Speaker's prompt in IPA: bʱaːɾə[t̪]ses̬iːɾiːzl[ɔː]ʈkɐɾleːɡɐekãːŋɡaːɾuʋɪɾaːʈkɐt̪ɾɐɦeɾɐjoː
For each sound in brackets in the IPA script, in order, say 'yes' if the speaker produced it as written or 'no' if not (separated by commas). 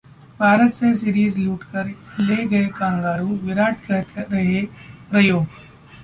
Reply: yes, no